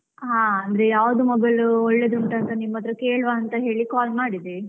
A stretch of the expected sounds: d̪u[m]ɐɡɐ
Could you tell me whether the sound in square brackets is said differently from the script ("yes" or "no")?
no